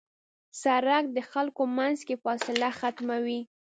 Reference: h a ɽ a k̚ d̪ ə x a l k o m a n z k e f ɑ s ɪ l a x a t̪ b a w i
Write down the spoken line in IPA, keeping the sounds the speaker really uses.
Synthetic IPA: s a ɾ a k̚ d̪ ə x a l k o m a n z k e f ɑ s ɪ l a x a t̪ m a w i